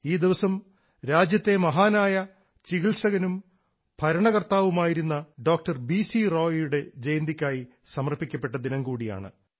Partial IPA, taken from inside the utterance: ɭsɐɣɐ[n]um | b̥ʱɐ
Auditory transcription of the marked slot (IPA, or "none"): n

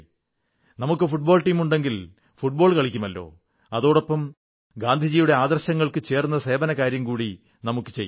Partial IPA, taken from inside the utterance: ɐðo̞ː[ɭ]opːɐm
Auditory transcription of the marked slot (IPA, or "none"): ɽ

